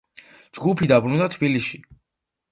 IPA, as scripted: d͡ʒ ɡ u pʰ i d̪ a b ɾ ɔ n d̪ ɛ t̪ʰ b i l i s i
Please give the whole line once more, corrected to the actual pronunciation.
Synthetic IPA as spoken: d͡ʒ ɡ u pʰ i d̪ a b ɾ u n d̪ a t̪ʰ b i l i ʃ i